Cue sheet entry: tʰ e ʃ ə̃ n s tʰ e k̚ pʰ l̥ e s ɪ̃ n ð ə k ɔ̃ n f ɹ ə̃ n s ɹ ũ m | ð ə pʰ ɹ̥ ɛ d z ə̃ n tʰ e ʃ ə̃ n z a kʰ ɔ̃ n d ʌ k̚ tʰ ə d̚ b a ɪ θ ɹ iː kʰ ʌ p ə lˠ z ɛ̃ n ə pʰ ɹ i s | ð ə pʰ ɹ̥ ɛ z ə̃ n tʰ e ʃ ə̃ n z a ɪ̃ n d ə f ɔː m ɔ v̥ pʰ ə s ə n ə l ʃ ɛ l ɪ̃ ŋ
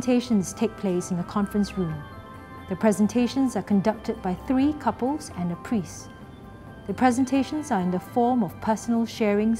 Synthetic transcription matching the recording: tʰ e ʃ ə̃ n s tʰ e k̚ pʰ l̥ e s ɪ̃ n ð ə kʰ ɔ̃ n f ɹ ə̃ n s ɹ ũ m | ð ə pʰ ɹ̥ ɛ z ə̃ n tʰ e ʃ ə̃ n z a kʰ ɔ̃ n d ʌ k̚ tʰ ə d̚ b a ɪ θ ɹ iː kʰ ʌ p ə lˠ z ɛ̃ n ə pʰ ɹ i s | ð ə pʰ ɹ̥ ɛ z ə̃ n tʰ e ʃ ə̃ n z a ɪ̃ n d ə f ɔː m ɔ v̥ pʰ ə s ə n ə l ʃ ɛ ɹ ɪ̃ ŋ